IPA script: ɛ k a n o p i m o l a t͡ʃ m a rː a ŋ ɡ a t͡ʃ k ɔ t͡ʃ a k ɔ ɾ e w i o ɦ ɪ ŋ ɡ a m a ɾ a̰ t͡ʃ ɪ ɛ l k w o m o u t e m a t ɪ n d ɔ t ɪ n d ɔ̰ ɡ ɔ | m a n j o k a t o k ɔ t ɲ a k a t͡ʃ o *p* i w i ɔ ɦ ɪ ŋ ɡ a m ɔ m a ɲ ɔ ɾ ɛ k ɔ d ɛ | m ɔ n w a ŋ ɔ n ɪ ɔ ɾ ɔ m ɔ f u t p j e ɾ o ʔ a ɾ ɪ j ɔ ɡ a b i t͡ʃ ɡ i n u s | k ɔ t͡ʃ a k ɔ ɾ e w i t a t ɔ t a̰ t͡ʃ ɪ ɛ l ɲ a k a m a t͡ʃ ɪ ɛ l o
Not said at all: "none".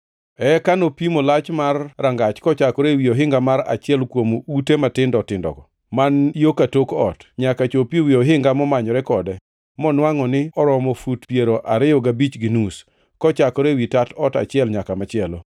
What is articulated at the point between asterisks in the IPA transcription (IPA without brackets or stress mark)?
p